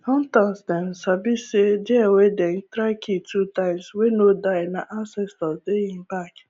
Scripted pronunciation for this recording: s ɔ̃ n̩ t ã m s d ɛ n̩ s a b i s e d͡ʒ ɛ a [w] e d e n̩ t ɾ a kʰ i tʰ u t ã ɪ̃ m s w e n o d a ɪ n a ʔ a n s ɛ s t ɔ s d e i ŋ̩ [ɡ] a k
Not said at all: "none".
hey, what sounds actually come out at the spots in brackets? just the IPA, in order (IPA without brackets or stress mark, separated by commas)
w, b